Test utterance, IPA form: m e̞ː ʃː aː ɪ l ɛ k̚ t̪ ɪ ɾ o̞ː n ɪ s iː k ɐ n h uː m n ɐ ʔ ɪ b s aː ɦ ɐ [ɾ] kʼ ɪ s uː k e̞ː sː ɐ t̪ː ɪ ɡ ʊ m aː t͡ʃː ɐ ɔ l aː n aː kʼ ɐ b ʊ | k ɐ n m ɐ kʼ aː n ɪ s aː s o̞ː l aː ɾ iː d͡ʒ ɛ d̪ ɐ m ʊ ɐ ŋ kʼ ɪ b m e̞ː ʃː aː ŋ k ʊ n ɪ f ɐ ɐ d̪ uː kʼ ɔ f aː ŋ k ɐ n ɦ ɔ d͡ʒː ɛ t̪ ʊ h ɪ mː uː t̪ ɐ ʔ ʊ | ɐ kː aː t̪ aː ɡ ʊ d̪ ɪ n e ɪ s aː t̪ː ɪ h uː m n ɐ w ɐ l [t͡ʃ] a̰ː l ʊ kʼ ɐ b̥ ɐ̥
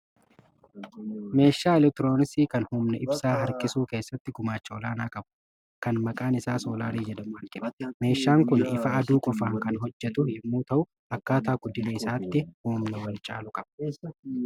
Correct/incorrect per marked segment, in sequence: correct, incorrect: t͡ʃʼ

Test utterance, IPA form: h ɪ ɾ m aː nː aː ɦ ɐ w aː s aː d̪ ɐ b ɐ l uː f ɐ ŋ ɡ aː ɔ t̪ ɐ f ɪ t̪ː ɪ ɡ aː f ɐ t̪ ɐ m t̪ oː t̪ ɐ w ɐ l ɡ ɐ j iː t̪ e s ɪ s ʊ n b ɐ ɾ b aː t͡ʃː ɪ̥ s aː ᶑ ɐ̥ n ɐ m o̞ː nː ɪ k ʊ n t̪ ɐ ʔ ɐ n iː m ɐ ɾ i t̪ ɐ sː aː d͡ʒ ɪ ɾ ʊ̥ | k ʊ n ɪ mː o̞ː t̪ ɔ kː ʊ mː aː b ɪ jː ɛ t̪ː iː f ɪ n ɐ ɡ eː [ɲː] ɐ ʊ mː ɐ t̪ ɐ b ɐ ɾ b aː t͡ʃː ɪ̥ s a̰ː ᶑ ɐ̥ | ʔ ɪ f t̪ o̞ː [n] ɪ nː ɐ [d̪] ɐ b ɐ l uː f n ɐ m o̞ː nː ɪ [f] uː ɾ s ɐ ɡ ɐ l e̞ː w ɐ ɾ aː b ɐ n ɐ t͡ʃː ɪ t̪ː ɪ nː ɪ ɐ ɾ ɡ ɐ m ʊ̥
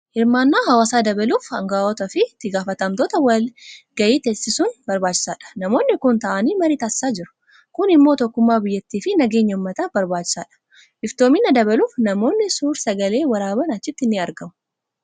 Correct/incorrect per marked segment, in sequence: correct, incorrect: m, correct, incorrect: s

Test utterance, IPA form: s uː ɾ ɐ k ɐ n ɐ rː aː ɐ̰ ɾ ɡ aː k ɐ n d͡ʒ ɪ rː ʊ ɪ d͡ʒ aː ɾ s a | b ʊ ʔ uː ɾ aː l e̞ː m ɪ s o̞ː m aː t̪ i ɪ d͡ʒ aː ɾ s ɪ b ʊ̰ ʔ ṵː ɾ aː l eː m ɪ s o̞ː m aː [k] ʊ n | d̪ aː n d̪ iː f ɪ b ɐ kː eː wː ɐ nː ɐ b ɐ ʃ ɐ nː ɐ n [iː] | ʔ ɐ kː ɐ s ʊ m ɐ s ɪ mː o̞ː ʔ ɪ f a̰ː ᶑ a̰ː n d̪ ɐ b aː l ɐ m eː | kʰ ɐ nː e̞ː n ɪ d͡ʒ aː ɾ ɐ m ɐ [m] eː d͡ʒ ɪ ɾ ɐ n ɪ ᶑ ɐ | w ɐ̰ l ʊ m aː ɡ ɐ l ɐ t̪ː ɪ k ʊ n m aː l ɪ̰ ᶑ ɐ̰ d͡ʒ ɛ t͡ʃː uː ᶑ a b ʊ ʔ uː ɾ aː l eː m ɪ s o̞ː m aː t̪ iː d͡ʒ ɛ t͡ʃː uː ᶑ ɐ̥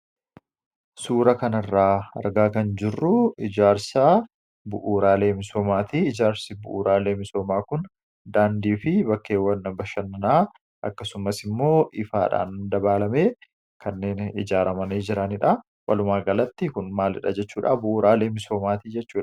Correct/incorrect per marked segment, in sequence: correct, incorrect: aː, incorrect: n

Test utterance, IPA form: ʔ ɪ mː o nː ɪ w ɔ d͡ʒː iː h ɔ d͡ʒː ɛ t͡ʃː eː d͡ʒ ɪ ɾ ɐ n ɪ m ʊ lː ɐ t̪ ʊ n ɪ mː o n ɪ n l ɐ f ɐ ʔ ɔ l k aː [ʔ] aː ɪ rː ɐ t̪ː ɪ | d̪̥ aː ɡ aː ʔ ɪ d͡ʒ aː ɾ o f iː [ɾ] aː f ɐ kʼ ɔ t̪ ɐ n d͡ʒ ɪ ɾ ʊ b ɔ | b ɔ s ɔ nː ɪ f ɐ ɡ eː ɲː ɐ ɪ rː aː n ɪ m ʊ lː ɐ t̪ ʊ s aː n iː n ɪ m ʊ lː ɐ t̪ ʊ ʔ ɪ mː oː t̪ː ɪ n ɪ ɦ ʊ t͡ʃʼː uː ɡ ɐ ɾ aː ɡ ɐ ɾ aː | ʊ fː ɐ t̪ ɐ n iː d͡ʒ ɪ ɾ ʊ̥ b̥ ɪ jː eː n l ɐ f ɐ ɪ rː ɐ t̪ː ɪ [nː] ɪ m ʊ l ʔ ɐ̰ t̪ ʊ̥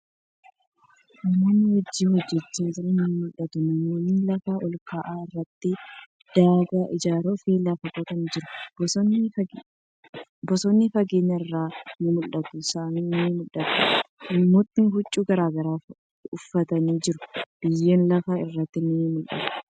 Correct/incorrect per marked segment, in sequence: correct, incorrect: l, incorrect: n

